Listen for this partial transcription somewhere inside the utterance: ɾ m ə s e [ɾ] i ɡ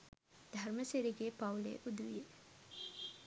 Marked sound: correct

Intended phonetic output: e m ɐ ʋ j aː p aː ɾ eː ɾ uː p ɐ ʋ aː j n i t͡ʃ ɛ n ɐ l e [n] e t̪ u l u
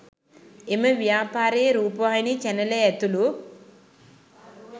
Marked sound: incorrect: none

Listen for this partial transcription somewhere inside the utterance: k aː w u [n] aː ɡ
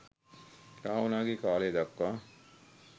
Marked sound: correct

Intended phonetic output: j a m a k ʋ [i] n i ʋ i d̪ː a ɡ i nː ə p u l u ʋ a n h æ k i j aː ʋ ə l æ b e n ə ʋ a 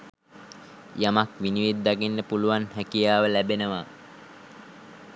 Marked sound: correct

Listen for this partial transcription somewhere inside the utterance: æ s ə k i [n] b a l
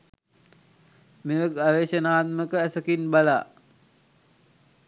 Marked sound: correct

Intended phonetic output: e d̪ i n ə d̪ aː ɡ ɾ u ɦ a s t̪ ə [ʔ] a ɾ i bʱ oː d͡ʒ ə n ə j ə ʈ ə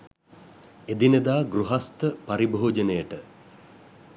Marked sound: incorrect: p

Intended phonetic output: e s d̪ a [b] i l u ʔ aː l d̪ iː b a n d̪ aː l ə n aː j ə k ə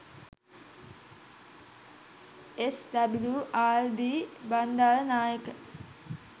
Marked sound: correct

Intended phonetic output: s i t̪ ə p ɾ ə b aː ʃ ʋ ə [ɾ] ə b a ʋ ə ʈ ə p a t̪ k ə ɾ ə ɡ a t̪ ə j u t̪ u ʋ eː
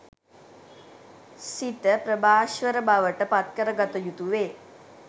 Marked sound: correct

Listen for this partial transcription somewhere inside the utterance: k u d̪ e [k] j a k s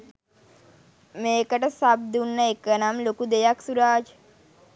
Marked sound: incorrect: none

